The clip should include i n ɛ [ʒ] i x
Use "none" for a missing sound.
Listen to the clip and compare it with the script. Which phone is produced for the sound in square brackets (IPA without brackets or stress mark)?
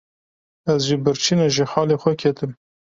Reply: ʒ